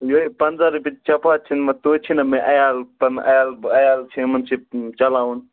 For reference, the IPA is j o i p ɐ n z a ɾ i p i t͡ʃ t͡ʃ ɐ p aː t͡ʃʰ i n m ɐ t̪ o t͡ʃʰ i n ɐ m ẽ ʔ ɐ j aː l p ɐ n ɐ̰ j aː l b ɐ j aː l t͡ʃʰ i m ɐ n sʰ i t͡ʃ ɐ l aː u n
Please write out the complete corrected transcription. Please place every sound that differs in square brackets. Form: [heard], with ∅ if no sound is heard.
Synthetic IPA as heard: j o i p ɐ n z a ɾ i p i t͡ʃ t͡ʃ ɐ p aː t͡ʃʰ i n m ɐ t̪ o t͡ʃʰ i n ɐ m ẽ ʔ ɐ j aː l p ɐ n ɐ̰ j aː l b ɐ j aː l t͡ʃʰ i m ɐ n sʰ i t͡ʃ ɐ l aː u n